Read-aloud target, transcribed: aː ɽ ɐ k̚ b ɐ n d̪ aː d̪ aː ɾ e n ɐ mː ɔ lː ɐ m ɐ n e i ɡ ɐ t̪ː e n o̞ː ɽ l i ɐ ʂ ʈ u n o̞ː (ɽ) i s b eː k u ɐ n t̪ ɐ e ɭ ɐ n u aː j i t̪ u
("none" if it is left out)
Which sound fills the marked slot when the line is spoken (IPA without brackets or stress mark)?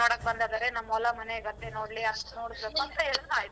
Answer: ɽ